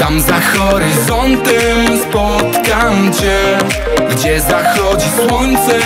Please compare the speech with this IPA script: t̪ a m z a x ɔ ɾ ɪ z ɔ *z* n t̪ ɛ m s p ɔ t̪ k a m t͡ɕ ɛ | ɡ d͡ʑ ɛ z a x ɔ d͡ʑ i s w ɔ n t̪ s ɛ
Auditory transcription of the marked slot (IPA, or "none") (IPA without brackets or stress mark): none